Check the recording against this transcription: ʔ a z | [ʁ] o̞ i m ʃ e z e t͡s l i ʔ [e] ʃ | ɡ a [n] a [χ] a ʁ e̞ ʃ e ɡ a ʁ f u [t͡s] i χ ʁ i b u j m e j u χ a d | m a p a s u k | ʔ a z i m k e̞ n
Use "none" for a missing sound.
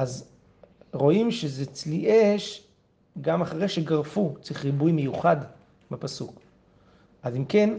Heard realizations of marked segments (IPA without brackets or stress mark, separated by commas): ʁ, e, m, χ, t͡s